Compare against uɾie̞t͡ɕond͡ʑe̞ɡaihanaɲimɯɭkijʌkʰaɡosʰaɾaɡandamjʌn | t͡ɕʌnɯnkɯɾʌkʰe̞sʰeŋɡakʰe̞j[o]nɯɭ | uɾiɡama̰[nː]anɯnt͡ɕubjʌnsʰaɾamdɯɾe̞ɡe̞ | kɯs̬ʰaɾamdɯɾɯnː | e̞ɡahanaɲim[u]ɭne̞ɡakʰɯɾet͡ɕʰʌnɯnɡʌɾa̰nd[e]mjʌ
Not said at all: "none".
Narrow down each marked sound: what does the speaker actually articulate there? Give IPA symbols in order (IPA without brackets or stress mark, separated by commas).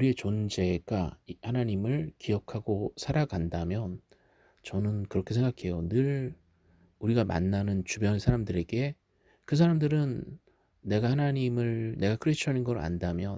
o, nː, ɯ, a